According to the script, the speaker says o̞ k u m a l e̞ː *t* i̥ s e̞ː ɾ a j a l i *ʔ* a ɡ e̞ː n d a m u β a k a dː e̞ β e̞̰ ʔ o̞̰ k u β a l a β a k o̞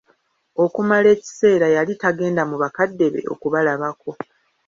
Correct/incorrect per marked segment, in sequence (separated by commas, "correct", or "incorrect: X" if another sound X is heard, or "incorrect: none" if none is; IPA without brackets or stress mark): incorrect: c, incorrect: t